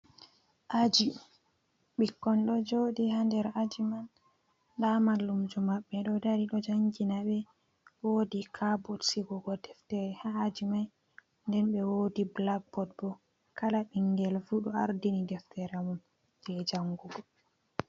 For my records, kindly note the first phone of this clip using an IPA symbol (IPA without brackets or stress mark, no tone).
ʔ